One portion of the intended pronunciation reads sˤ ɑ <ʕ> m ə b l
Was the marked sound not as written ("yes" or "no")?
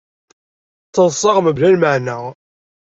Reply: yes